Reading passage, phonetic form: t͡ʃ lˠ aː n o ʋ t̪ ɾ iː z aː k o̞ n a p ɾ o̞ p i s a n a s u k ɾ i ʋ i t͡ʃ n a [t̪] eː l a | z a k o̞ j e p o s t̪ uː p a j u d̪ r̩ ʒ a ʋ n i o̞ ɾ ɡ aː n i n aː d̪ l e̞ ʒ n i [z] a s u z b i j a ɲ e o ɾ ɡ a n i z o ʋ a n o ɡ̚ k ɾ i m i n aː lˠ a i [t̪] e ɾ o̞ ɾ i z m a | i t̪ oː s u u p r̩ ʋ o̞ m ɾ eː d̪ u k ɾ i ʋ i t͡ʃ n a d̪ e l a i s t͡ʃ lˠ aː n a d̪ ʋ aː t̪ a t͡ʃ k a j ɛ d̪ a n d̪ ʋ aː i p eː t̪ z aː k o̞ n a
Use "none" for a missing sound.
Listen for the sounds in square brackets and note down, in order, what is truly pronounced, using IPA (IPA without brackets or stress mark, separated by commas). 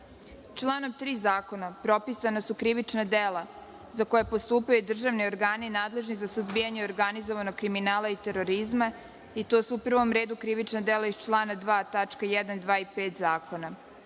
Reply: d̪, z, t̪